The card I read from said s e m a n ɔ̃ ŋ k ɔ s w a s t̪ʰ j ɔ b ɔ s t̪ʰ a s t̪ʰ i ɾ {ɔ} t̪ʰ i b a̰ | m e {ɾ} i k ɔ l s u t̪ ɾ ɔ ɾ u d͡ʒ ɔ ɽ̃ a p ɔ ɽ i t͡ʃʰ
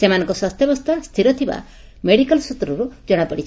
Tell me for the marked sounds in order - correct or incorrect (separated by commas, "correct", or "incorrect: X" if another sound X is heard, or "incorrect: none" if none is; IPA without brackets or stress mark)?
correct, incorrect: ɽ